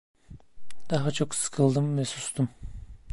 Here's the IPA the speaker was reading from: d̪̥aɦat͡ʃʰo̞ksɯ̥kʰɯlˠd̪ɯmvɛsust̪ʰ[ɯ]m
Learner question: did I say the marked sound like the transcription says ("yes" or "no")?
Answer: no